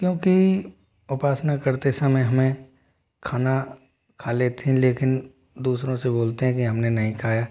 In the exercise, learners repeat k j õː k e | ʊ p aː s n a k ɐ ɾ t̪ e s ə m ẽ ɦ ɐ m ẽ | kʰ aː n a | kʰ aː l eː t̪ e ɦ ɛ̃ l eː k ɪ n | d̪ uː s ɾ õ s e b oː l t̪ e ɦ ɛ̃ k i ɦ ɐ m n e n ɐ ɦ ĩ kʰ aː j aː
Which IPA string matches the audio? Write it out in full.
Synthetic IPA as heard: k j õː k i | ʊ p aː s n a k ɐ ɾ t̪ e s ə m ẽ ɦ ɐ m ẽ | kʰ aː n a | kʰ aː l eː t̪ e ɦ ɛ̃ l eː k ɪ n | d̪ uː s ɾ õ s e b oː l t̪ e ɦ ɛ̃ k i ɦ ɐ m n e n ɐ ɦ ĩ kʰ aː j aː